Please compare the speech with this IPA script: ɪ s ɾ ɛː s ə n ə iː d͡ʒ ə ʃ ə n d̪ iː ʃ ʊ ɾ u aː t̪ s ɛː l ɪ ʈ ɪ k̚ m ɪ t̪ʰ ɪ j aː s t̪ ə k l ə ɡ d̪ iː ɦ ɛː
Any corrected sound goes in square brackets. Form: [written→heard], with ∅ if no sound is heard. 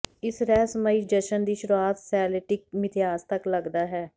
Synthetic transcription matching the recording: ɪ s ɾ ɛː s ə [n→m] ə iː d͡ʒ ə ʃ ə n d̪ iː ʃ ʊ ɾ u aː t̪ s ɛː l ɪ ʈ ɪ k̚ m ɪ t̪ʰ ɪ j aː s t̪ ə k l ə ɡ d̪ [iː→aː] ɦ ɛː